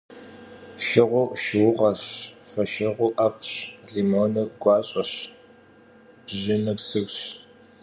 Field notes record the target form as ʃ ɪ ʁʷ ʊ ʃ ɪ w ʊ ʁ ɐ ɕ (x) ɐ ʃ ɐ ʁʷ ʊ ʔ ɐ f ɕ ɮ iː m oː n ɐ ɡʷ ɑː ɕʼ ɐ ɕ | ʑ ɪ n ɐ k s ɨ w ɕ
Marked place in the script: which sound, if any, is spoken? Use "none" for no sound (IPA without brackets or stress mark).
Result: f